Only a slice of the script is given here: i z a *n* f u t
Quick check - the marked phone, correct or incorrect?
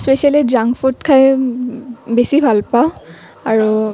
incorrect